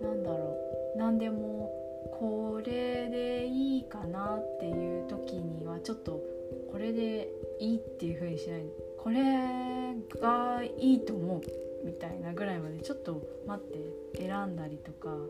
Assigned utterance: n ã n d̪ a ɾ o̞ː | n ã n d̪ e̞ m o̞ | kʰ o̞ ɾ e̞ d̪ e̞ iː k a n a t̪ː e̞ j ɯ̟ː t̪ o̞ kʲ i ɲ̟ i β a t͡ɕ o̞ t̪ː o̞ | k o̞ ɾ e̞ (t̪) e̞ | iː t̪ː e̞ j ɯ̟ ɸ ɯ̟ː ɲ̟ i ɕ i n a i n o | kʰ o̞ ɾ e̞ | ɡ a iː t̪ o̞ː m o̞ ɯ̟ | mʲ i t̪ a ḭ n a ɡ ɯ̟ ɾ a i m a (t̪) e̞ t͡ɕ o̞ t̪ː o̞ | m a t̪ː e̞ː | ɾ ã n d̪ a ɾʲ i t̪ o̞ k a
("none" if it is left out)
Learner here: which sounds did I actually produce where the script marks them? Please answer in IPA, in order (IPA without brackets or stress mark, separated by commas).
d̪, d̪